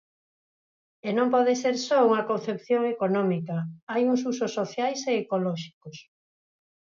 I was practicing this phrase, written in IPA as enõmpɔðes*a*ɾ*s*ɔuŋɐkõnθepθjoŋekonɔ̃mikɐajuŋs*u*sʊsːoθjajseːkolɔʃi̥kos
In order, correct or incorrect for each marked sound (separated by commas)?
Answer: incorrect, correct, correct